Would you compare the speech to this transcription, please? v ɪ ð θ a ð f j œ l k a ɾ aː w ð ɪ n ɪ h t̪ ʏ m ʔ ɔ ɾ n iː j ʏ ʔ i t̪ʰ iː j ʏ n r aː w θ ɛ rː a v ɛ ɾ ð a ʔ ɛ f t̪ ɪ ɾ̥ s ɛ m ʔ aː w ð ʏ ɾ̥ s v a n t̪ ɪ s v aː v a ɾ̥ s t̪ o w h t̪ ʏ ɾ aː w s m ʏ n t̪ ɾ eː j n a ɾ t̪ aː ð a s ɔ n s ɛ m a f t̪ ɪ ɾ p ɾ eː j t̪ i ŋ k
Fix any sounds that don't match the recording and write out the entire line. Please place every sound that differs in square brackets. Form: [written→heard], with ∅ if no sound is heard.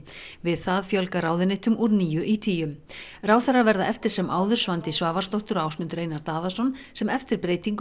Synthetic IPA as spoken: v ɪ ð θ a ð f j œ l k a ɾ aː w ð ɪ n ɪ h t̪ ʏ m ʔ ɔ ɾ n iː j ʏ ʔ i t̪ʰ iː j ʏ [n→m] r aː w θ ɛ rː a v ɛ ɾ ð a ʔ ɛ f t̪ ɪ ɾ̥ s ɛ m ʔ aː w ð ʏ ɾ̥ s v a n t̪ ɪ s v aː v a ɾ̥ s t̪ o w h t̪ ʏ ɾ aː w s m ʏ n t̪ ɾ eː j n a ɾ t̪ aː ð a s ɔ n s ɛ m [a→ɛ] f t̪ ɪ ɾ p ɾ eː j t̪ i ŋ k